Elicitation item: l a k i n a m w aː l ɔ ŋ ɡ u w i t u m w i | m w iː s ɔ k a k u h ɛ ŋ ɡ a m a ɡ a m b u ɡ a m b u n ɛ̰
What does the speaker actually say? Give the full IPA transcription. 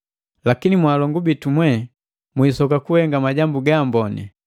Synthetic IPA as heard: l a k i n i m w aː l ɔ ŋ ɡ u b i t u m w ɛ | m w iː s ɔ k a k u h ɛ ŋ ɡ a m a ɟ a m b u ɡ a m b ɔ n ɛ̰